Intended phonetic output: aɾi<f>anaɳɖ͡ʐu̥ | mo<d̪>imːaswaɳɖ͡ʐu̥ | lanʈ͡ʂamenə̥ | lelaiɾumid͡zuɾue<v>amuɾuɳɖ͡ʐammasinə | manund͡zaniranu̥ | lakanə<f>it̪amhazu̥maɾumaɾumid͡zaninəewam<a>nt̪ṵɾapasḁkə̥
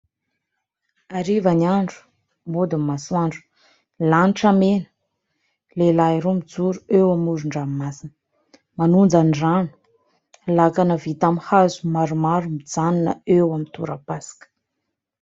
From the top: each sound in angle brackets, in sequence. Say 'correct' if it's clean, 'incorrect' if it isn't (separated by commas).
incorrect, correct, incorrect, incorrect, incorrect